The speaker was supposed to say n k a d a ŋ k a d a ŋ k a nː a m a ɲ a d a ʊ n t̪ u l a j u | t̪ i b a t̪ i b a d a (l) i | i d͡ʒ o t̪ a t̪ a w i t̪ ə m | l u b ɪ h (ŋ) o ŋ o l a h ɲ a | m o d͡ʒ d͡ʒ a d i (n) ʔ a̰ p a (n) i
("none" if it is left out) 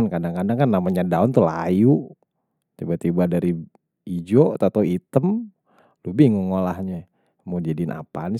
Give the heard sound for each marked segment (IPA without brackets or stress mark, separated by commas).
ɾ, ŋ, n, n